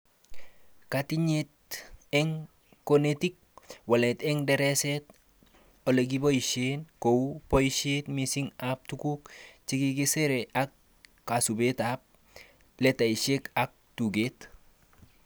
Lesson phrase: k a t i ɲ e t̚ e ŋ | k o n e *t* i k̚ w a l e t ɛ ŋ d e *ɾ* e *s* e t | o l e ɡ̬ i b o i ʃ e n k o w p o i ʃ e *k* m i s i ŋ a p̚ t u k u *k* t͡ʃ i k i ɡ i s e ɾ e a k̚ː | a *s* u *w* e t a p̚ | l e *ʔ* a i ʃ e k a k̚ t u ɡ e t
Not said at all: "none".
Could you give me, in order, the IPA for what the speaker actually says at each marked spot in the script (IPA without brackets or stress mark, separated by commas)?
t, ɾ, s, t, k, s, b, t